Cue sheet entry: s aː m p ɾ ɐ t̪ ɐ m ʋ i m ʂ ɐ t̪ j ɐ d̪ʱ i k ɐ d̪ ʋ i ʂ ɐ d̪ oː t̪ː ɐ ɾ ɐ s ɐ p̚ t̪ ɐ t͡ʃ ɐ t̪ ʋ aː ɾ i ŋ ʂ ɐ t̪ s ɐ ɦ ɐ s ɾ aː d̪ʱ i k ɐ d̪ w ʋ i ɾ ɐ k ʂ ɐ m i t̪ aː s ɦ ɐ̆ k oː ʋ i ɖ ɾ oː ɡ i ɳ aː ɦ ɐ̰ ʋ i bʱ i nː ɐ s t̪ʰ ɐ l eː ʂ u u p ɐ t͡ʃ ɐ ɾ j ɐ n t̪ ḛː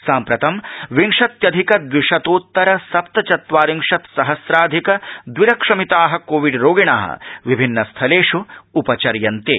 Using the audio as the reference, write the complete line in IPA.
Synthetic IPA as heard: s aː m p ɾ ɐ t̪ ɐ m ʋ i ŋ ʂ ɐ t̪ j ɐ d̪ʱ i k ɐ d̪ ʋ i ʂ ɐ t̪ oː t̪ː ɐ ɾ ɐ s ɐ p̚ t̪ ɐ t͡ʃ ɐ t̪ ʋ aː ɾ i ŋ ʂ ɐ t̪ s ɐ ɦ ɐ s ɾ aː d̪ʱ i k ɐ d̪ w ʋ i ɾ ɐ k ʂ ɐ m i t̪ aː ɦ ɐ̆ k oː ʋ i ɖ ɾ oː ɡ i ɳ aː ɦ ɐ̰ ʋ i bʱ i nː ɐ s t̪ʰ ɐ l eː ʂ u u p ɐ t͡ʃ ɐ ɾ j ɐ n t̪ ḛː